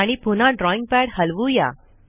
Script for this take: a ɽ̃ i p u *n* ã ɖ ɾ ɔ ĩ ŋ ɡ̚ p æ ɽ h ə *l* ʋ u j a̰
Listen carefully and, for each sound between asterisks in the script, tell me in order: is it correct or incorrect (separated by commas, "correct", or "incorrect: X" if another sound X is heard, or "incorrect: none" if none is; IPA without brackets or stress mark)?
correct, correct